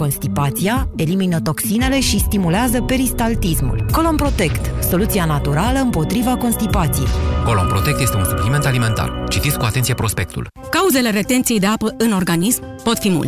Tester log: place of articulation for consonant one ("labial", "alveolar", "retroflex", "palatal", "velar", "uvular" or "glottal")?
velar